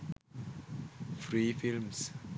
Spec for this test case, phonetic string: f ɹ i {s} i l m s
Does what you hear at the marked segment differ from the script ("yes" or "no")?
yes